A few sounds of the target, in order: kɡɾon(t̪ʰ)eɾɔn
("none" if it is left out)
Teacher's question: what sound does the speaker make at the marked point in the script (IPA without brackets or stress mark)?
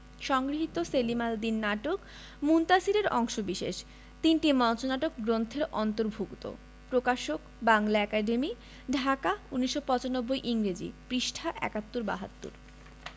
t̪ʰ